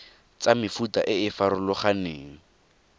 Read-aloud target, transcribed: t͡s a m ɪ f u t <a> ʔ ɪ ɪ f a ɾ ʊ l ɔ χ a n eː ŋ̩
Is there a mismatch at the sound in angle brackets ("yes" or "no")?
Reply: no